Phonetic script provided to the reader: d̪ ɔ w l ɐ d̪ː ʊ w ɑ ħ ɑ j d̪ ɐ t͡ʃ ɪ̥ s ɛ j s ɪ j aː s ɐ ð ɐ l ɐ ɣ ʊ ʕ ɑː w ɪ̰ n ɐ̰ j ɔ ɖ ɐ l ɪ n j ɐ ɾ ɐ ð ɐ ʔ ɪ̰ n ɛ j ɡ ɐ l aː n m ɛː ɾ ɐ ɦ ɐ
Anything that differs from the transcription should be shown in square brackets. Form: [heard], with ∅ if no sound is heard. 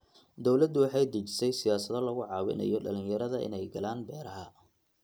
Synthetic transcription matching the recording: d̪ ɔ w l ɐ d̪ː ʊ w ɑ ħ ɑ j d̪ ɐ t͡ʃ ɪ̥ s ɛ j s ɪ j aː s ɐ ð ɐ l ɐ ɣ ʊ ʕ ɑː w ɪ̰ n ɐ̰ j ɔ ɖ ɐ l ɪ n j ɐ ɾ ɐ ð ɐ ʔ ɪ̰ n ɛ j ɡ ɐ l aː n [b] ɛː ɾ ɐ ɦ ɐ